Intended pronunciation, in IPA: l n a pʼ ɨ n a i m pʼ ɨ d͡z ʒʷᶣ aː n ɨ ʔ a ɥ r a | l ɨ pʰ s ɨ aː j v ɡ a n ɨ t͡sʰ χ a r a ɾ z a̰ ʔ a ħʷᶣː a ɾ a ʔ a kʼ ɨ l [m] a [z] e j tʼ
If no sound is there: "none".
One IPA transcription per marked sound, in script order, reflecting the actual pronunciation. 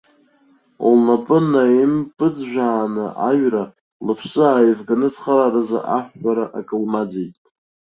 m, d͡z

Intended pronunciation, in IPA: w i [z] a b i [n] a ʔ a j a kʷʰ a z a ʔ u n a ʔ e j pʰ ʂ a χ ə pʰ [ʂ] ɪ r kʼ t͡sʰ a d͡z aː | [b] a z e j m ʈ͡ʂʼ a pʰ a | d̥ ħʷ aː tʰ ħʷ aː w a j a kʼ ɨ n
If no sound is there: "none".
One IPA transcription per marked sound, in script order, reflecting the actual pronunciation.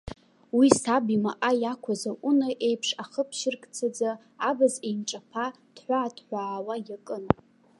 s, m, ʃ, b

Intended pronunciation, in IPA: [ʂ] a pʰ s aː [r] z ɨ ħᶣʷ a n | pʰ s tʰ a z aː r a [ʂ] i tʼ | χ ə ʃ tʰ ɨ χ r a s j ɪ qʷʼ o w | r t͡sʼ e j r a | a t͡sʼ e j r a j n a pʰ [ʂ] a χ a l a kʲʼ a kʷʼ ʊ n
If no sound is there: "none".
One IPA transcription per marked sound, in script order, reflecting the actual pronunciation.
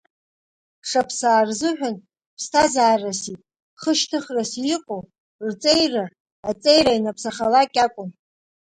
ʂ, r, s, s

